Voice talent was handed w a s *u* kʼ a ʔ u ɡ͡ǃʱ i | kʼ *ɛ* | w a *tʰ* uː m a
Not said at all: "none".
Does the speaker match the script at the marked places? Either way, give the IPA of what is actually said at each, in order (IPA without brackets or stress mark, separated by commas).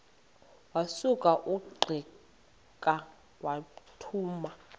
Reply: u, a, tʰ